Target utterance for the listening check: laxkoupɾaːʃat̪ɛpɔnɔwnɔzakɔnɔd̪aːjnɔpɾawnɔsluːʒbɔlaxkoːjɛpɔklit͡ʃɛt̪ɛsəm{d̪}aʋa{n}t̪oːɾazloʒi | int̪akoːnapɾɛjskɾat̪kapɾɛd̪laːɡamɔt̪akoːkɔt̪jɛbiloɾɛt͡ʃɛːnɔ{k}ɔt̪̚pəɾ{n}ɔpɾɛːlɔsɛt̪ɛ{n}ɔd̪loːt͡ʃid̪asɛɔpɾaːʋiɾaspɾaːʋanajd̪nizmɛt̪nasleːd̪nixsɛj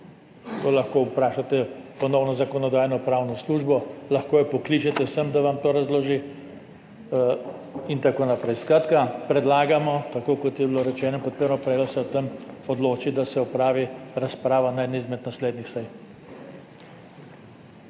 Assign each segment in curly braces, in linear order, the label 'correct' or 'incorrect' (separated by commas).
correct, incorrect, incorrect, correct, incorrect